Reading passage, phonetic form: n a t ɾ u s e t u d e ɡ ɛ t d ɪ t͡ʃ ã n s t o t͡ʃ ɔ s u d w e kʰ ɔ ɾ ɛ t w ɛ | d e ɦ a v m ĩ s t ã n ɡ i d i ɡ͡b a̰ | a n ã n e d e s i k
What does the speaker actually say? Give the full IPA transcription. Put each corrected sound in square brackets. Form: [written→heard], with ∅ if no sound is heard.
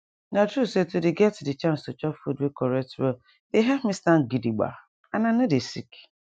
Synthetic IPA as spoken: n a t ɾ u s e t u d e ɡ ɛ t d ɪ t͡ʃ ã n s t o t͡ʃ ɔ [s→f] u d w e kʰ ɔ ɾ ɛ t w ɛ | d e ɦ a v m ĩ s t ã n ɡ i d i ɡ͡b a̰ | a n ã n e d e s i k